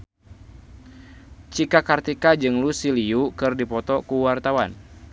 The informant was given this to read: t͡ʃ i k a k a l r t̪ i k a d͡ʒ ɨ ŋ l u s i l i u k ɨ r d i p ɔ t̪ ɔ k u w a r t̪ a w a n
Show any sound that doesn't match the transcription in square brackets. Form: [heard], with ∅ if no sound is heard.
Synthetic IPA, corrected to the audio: t͡ʃ i k a k a [∅] r t̪ i k a d͡ʒ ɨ ŋ l u s i l i u k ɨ r d i p ɔ t̪ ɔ k u w a r t̪ a w a n